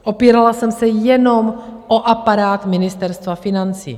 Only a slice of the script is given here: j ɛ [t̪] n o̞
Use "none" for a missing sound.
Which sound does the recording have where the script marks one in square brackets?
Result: none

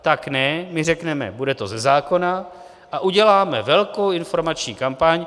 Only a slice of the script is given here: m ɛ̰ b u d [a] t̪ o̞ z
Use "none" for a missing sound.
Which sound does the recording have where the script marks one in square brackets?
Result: ɛ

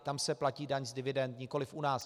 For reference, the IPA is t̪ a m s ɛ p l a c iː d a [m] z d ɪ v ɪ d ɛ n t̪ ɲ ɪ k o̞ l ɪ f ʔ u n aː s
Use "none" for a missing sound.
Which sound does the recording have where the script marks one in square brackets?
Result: ɲ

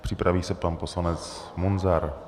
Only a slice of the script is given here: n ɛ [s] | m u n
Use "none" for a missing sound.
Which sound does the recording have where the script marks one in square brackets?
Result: t͡s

